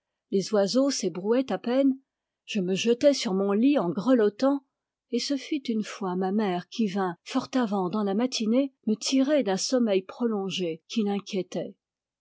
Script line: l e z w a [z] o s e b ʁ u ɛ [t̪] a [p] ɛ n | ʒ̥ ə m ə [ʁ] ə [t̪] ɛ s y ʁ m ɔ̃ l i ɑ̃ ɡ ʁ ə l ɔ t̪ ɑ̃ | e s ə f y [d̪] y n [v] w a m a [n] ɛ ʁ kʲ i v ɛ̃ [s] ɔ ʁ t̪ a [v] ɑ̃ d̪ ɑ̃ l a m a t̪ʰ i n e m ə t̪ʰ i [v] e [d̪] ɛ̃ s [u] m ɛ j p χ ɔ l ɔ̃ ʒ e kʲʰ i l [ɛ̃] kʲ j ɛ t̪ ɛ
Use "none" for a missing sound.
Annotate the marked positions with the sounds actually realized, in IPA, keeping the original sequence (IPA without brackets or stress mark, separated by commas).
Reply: z, t̪, p, ʒ, t̪, t̪, f, m, f, v, ʁ, d̪, ɔ, ɛ̃